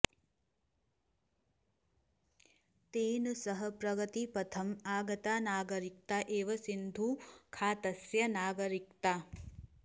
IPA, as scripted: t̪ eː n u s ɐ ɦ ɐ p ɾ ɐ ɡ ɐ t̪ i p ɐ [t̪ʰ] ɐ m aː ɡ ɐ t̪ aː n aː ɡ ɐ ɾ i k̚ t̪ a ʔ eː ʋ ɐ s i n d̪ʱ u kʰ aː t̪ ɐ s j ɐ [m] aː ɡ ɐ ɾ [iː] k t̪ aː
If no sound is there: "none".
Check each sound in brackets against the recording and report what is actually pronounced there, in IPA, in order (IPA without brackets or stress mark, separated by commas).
t̪ʰ, n, i